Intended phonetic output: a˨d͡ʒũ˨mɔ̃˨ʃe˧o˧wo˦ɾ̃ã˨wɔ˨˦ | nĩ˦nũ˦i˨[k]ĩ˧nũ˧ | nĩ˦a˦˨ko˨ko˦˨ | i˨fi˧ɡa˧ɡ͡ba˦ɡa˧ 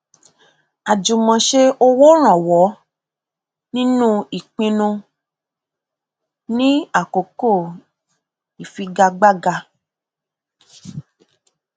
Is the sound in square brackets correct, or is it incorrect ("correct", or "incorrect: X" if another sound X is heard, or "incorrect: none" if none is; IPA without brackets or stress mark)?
incorrect: k͡p